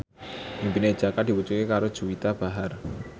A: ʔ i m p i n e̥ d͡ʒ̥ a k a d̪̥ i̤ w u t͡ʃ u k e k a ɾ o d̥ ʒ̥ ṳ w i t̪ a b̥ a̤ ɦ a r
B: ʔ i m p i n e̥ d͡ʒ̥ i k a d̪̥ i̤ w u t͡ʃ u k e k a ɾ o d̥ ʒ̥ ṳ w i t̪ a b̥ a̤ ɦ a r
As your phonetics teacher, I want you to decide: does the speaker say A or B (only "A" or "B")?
A